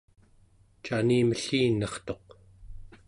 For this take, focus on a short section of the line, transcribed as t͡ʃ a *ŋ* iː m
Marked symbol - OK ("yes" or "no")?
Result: no